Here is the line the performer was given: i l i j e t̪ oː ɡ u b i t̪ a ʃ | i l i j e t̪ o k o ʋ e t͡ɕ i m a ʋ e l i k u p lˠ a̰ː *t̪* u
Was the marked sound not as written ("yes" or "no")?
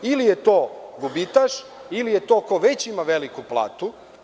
no